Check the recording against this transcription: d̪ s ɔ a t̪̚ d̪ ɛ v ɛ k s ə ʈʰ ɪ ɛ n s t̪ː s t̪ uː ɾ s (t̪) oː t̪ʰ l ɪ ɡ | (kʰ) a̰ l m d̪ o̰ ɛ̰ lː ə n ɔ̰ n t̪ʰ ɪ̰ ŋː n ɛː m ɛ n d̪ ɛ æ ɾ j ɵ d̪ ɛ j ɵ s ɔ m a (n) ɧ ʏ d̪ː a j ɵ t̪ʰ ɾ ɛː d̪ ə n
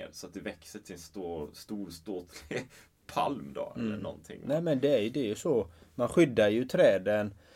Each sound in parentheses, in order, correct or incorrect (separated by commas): correct, incorrect, correct